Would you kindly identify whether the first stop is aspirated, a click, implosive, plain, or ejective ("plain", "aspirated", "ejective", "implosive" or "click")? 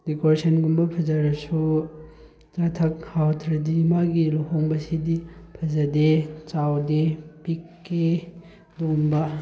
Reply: plain